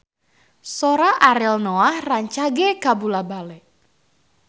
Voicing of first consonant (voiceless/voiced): voiceless